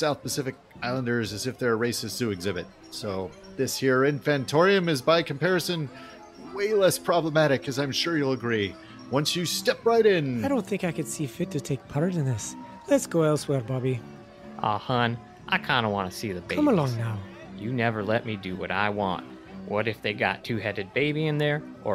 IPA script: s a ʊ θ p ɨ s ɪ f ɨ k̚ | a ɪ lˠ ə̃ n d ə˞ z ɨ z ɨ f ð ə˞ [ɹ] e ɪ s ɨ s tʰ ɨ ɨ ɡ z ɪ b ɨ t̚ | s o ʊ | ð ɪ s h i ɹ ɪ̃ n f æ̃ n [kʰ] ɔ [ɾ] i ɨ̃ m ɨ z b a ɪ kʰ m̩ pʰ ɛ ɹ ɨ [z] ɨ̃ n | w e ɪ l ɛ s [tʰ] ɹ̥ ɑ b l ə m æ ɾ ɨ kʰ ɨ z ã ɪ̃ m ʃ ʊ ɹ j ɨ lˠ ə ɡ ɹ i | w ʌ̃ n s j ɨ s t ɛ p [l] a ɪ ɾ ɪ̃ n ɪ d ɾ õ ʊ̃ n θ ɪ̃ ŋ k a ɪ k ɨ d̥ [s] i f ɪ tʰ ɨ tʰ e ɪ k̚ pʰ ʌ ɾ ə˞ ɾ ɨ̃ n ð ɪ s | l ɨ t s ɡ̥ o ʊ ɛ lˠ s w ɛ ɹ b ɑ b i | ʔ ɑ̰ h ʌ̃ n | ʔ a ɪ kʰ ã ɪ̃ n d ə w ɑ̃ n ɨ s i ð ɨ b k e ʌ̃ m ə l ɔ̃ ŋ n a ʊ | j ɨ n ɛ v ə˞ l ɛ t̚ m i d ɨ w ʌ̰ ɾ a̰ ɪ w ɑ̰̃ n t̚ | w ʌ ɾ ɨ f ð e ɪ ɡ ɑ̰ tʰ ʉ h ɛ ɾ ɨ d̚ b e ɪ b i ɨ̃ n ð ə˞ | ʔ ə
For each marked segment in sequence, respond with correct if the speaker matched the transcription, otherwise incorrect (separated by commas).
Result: correct, incorrect, incorrect, incorrect, incorrect, incorrect, correct